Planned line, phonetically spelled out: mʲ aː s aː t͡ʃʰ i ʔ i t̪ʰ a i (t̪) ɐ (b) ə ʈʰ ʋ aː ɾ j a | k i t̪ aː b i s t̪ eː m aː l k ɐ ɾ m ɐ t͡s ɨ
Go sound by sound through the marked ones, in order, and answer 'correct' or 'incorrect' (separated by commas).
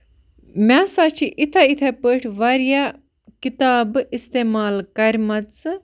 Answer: incorrect, incorrect